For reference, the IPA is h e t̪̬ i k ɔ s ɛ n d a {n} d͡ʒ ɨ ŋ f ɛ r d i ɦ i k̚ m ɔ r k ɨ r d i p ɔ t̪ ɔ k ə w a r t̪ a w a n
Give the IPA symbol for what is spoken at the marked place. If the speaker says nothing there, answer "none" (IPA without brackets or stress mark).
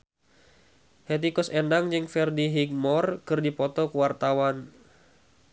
ŋ